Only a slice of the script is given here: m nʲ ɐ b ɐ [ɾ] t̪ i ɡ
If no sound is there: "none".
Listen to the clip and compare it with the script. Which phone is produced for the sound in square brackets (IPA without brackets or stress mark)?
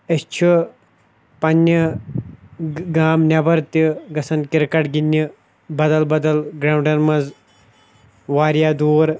ɾ